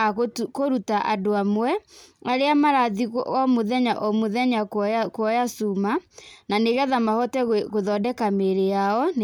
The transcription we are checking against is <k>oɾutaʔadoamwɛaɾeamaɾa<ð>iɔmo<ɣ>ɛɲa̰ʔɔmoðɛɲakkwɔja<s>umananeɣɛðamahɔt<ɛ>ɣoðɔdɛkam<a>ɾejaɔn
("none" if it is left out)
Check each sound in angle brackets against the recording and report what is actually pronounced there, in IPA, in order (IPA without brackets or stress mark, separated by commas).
k, ð, ð, s, ɛ, e